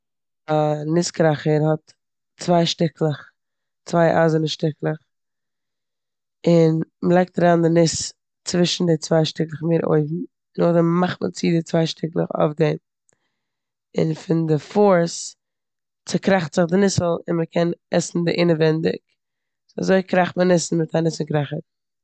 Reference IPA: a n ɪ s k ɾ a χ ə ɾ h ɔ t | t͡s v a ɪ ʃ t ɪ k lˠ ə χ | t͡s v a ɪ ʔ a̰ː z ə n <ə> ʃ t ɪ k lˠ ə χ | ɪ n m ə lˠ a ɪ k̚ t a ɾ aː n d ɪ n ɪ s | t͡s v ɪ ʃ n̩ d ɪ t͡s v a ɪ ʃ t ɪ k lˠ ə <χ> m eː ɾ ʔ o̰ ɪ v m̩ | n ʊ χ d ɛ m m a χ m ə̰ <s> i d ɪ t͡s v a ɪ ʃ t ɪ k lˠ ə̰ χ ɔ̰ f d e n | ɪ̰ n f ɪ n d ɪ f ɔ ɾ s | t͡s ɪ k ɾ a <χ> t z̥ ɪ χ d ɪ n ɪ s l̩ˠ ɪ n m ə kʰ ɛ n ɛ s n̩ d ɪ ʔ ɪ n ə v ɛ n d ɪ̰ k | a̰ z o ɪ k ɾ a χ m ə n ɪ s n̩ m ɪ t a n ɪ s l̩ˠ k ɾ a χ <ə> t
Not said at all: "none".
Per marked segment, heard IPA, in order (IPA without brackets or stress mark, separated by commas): ə, χ, t͡s, χ, ə